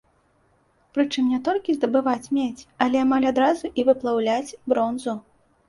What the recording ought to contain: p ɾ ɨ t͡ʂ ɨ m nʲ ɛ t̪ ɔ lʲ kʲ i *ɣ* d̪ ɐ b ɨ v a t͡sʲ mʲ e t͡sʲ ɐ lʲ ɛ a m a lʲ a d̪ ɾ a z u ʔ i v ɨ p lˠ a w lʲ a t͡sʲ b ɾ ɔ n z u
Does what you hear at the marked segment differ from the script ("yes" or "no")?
yes